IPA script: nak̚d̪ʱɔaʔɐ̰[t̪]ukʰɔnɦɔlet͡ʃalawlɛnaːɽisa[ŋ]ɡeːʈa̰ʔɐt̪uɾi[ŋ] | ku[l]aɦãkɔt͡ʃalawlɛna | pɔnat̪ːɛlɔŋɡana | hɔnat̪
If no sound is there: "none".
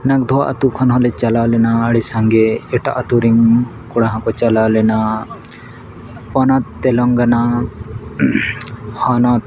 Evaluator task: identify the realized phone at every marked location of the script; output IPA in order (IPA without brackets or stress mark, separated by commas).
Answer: t̪, ŋ, ŋ, ɽ